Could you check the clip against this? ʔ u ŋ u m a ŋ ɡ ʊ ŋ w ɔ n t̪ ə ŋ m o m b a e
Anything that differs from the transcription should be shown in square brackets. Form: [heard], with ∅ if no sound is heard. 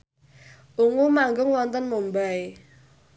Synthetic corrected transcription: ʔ u ŋ u m a ŋ ɡ ʊ ŋ w ɔ n t̪ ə [n] m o m b a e

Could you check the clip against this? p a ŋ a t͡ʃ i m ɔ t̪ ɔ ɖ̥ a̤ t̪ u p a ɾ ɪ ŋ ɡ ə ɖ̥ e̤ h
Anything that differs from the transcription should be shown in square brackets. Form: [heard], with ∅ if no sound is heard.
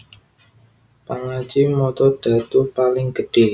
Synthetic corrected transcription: p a ŋ a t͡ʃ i m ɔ t̪ ɔ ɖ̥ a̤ t̪ u p a [l] ɪ ŋ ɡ ə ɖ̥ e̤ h

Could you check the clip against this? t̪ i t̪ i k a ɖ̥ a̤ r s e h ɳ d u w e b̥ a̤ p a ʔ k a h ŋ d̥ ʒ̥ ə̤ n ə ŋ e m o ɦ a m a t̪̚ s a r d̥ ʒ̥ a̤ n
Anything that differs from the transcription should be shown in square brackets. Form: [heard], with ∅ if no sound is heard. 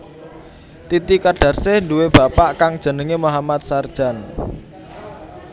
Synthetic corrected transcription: t̪ i t̪ i k a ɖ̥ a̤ r s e h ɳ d u w e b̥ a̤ p a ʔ k a [∅] ŋ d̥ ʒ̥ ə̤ n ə ŋ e m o ɦ a m a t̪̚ s a r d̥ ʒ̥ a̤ n

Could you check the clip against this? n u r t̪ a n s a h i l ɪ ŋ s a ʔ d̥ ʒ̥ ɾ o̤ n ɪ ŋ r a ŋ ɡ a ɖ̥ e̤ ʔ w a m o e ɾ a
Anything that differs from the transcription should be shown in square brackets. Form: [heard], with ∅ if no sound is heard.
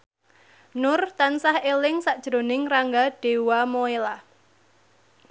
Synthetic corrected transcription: n [ʊ] r t̪ a n s a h [e] l ɪ ŋ s a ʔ d̥ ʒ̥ ɾ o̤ n ɪ ŋ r a ŋ ɡ a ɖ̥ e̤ [∅] w a m o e [l] a

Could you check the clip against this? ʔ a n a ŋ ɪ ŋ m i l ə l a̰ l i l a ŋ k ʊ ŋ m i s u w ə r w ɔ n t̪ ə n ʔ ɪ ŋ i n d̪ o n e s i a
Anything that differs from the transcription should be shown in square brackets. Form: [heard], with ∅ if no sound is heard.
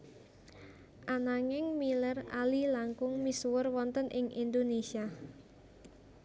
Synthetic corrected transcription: ʔ a n a ŋ ɪ ŋ m i l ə [r] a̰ l i l a ŋ k ʊ ŋ m i s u w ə r w ɔ n t̪ ə n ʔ ɪ ŋ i n d̪ o n e s i a

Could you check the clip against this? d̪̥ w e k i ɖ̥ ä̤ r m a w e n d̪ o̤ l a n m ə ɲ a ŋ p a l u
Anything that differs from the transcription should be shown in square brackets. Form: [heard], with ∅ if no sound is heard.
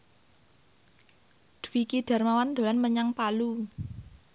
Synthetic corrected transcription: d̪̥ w [i] k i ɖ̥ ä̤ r m a w [a] n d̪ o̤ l a n m ə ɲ a ŋ p a l u

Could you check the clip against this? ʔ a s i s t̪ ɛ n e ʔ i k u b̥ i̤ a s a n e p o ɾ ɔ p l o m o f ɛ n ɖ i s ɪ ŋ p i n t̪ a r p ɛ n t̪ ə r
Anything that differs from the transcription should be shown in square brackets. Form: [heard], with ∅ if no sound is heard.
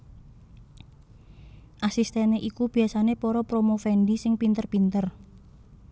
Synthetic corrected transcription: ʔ a s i s t̪ ɛ n e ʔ i k u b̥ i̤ a s a n e p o ɾ ɔ p [ɾ] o m o f ɛ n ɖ i s ɪ ŋ p i n t̪ [ə] r p [i] n t̪ ə r

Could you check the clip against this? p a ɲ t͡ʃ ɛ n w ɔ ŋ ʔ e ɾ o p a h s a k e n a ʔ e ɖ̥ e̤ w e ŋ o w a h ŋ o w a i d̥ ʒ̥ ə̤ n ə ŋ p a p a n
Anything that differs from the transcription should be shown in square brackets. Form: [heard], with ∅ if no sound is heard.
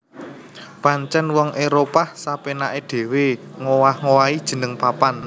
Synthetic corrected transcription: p a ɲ t͡ʃ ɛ n w ɔ ŋ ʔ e ɾ o p a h s a [p] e n a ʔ e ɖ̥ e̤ w e ŋ o w a h ŋ o w a i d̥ ʒ̥ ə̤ n ə ŋ p a p a n

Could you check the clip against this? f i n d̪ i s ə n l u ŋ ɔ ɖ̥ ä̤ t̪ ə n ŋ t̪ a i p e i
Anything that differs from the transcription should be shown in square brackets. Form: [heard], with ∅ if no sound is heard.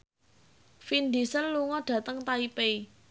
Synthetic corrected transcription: f i n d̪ i s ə n l u ŋ ɔ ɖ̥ ä̤ t̪ ə [∅] ŋ t̪ a i p e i

